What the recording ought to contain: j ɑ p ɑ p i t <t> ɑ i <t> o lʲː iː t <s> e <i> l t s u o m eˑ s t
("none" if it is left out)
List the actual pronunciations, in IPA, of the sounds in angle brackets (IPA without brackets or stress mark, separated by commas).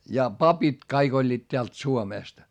k, k, t, æ